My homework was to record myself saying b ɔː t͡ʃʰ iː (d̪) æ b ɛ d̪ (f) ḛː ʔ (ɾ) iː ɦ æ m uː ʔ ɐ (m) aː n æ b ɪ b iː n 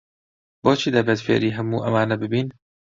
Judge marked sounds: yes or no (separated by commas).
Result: yes, yes, yes, yes